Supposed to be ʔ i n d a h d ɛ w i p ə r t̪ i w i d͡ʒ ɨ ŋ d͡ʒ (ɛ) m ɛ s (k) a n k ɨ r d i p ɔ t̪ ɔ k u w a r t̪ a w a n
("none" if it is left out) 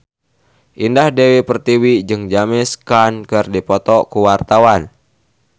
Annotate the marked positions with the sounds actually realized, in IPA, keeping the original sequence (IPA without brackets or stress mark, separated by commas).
a, k